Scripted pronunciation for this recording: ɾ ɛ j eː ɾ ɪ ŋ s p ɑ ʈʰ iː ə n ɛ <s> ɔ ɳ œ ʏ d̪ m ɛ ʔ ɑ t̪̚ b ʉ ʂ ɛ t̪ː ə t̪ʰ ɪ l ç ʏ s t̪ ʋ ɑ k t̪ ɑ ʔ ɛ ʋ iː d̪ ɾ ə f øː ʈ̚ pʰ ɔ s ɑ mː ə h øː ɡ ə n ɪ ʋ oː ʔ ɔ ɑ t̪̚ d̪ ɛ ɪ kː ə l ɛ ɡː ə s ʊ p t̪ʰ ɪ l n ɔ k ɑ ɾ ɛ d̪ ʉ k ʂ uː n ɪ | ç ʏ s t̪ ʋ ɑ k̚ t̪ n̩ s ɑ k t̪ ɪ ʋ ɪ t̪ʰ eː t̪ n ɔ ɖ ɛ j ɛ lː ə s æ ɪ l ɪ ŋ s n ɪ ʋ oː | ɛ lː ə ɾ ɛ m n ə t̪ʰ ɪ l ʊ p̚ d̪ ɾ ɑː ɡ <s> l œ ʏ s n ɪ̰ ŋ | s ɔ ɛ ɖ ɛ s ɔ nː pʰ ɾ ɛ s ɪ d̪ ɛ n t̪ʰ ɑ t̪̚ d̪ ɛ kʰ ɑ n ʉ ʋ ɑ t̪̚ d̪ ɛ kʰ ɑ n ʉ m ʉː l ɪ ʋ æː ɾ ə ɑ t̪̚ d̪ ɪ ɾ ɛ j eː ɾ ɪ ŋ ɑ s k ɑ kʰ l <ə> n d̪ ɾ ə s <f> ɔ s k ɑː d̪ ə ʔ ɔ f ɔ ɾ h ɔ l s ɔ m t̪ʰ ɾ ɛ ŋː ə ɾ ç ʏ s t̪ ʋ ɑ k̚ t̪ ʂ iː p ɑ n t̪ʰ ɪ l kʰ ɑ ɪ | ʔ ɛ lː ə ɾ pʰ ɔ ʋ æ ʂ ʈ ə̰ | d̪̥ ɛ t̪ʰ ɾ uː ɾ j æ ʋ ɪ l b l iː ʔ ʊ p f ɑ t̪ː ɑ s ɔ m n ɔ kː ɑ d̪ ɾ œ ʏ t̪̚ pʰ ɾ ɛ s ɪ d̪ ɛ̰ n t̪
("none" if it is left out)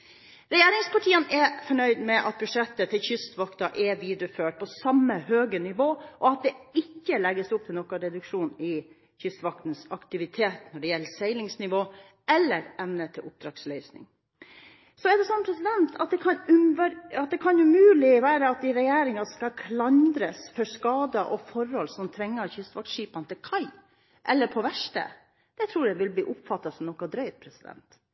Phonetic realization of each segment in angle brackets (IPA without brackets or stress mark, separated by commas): f, s, ɑ, f